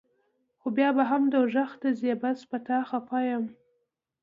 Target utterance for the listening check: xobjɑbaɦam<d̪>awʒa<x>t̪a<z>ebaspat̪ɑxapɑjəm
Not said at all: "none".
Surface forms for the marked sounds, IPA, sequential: d̪, x, z

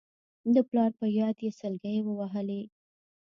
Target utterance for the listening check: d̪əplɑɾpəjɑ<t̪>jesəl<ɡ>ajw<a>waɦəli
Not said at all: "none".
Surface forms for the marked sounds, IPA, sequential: d̪, ɡ, ə

